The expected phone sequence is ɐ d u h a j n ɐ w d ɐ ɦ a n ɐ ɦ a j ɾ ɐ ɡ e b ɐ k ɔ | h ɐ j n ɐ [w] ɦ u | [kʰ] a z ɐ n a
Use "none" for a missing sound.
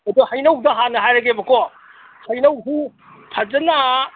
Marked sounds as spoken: w, pʰ

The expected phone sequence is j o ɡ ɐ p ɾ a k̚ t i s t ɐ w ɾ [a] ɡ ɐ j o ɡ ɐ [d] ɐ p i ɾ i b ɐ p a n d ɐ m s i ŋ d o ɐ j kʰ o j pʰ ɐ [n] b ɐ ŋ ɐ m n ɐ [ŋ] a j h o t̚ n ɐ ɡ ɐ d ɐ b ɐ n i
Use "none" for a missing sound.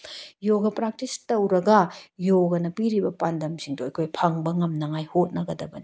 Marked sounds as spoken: ɐ, n, ŋ, ŋ

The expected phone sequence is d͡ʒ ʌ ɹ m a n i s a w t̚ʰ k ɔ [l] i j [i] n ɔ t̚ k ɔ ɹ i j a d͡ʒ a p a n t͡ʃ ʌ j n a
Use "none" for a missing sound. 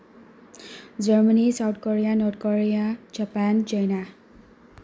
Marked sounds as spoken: ɹ, a

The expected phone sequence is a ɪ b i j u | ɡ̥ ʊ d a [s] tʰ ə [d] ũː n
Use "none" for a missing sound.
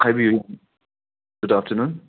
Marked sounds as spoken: f, n

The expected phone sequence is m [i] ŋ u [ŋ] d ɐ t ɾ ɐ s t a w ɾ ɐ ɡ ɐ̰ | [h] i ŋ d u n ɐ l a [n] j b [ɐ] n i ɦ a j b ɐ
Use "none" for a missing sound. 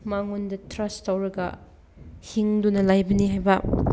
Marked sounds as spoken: a, n, h, none, ɐ

